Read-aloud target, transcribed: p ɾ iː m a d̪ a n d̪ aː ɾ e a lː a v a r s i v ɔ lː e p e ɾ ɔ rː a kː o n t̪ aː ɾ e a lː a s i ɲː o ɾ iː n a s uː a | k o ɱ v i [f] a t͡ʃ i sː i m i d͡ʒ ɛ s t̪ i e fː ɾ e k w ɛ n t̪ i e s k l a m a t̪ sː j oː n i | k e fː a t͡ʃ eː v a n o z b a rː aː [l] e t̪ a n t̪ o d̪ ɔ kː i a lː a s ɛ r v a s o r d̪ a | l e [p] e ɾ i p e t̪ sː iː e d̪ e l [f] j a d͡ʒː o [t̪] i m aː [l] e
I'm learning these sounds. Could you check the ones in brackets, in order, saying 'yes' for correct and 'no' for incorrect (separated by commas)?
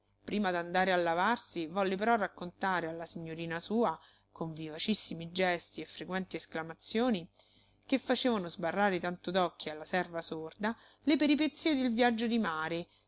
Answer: no, no, yes, no, no, no